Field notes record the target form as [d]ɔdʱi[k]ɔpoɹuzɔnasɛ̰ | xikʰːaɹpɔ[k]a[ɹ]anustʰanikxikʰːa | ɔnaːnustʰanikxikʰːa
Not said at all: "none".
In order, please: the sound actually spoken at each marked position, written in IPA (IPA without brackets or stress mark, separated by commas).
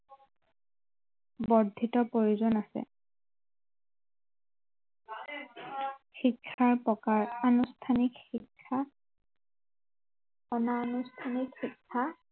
b, t, k, ɹ